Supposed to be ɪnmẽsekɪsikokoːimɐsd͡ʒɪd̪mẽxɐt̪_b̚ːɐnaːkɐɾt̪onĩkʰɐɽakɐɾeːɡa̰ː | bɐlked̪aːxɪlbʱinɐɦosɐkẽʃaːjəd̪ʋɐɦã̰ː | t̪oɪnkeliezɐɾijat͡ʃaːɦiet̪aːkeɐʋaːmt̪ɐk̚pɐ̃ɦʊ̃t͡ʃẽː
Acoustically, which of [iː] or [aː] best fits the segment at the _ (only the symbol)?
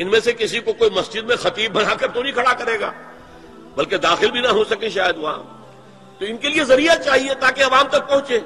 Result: iː